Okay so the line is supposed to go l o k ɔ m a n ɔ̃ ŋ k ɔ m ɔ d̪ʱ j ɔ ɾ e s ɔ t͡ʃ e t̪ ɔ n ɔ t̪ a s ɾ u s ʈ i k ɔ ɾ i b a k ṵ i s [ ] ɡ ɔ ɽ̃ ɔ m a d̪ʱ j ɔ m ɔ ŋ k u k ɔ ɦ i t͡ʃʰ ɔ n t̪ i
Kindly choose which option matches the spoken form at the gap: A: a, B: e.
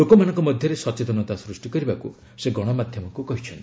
B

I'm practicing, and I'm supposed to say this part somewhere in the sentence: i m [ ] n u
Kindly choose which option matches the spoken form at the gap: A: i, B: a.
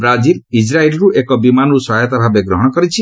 B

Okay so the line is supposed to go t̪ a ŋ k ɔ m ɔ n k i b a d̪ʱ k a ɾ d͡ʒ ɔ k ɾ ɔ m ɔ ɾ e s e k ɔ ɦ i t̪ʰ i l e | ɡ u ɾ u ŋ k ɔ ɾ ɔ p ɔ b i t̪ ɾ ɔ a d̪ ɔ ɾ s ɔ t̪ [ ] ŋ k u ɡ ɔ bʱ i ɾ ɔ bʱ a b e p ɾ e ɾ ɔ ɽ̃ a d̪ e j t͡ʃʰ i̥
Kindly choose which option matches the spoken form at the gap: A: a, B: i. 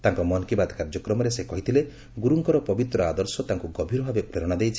A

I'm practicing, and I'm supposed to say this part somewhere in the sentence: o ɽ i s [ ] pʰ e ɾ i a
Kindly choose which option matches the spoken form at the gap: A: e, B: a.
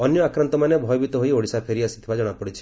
B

